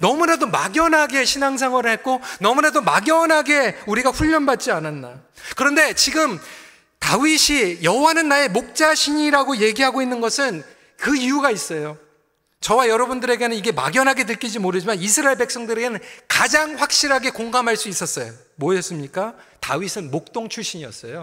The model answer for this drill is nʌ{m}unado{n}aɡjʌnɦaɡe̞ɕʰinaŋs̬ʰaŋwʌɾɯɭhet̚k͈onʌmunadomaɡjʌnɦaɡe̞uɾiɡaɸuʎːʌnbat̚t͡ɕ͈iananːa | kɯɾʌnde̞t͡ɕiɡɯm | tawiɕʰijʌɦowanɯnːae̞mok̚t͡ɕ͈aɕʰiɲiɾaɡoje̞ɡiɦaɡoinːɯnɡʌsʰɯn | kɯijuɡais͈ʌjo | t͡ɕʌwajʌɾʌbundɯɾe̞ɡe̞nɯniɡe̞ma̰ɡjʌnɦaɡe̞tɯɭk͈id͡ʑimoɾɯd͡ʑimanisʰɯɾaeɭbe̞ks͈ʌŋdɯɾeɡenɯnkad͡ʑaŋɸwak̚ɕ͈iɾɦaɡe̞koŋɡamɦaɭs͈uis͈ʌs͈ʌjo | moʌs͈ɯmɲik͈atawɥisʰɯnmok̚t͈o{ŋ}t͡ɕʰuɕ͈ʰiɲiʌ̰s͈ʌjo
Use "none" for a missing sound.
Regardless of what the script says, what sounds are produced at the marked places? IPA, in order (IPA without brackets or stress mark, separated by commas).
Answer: m, m, ŋ